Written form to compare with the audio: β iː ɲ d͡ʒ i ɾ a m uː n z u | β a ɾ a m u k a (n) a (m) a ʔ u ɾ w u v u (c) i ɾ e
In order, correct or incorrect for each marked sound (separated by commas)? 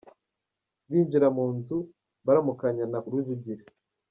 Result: incorrect, incorrect, incorrect